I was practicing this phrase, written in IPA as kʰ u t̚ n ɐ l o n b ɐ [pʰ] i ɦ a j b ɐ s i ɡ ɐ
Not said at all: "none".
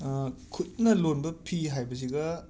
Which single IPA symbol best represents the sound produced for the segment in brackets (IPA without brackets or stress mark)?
pʰ